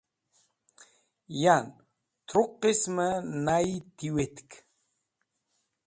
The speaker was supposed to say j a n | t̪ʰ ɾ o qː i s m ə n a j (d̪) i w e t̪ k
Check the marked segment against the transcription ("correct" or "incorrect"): incorrect